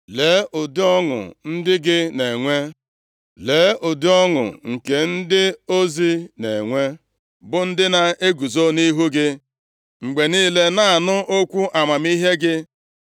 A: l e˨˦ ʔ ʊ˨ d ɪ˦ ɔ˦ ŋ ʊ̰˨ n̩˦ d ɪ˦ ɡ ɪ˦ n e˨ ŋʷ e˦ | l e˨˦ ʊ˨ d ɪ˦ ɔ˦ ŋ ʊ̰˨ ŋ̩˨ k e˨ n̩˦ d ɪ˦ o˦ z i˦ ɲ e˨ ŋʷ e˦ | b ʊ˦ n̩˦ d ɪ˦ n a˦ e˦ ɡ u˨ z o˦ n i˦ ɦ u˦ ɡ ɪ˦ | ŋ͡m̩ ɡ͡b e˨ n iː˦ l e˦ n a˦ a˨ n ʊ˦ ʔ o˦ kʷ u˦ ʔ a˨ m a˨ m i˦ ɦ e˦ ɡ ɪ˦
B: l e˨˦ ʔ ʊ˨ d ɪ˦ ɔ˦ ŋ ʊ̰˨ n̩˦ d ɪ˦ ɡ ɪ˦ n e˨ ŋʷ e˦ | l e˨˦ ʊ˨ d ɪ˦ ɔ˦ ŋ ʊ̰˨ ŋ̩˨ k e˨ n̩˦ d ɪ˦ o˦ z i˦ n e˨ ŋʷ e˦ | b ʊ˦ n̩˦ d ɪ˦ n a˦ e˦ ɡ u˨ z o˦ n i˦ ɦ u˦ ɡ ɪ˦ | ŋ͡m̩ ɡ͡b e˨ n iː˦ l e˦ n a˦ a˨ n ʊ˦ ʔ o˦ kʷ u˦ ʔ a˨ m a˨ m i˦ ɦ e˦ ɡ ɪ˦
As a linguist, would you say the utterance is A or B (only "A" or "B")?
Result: B